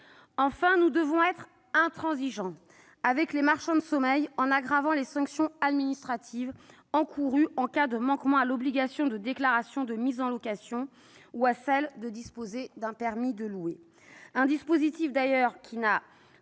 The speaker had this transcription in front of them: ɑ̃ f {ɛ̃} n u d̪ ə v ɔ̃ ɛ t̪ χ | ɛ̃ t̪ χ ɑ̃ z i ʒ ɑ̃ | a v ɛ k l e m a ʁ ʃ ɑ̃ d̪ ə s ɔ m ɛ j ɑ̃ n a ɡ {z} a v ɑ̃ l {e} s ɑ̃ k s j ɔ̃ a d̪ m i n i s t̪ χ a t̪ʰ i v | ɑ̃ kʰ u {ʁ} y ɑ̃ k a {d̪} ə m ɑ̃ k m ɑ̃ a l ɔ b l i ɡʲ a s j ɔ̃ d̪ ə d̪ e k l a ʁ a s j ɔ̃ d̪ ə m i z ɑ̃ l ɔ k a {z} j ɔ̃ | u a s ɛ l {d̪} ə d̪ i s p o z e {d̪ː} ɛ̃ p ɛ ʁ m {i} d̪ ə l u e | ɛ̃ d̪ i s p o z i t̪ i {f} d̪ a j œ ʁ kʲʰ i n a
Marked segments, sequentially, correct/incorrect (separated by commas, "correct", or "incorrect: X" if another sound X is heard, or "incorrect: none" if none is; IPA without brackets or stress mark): correct, incorrect: ʁ, correct, correct, correct, incorrect: s, correct, incorrect: d̪, correct, correct